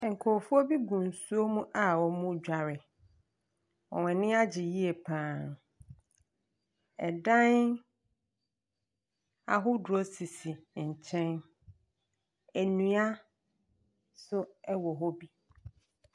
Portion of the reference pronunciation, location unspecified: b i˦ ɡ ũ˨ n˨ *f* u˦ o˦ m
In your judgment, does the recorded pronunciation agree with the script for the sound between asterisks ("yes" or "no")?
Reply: no